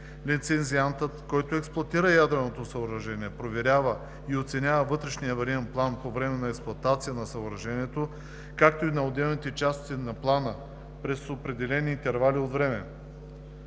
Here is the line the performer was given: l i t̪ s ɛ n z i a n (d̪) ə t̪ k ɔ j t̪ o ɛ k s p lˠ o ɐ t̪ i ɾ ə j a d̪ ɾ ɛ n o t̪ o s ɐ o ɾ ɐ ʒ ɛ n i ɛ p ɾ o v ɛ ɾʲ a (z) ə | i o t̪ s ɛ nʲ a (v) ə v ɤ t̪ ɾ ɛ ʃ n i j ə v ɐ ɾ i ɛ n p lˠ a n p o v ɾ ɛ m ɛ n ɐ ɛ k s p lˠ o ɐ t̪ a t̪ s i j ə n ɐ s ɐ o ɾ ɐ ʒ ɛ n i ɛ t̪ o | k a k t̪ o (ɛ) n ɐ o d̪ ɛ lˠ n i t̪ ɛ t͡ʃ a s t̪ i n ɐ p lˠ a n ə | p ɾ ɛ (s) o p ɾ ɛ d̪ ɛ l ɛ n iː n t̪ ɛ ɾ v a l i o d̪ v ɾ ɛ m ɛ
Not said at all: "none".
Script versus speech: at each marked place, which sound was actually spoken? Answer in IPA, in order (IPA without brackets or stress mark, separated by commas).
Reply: t̪, v, v, i, s